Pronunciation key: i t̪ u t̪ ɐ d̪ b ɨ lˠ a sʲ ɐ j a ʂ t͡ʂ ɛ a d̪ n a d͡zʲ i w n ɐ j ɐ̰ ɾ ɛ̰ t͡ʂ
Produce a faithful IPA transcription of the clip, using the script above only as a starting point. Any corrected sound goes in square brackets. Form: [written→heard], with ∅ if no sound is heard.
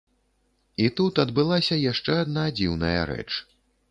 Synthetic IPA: i t̪ u t̪ ɐ d̪ b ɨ lˠ a sʲ ɐ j a ʂ t͡ʂ ɛ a d̪ n a d͡zʲ i w n ɐ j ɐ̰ ɾ ɛ̰ t͡ʂ